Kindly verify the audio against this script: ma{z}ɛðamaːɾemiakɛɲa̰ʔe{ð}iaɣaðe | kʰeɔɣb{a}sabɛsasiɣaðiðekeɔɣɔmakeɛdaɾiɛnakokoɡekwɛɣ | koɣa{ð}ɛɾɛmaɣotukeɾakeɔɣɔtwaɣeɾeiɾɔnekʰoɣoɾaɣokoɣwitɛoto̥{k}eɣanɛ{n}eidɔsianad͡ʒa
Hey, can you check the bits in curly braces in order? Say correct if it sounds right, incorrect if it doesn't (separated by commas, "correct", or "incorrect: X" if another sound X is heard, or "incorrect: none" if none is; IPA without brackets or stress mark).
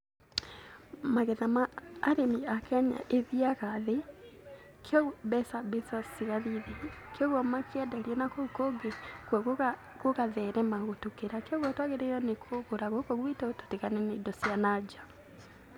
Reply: incorrect: ɣ, correct, incorrect: ɛ, correct, incorrect: t, correct